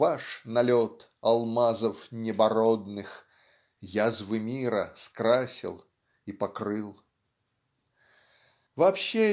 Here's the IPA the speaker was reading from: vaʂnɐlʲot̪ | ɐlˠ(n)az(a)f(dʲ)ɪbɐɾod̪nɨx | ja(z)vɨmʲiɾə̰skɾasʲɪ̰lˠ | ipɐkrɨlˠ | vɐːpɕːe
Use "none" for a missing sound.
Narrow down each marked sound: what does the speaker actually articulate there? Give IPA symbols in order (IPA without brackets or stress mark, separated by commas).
m, ə, nʲ, z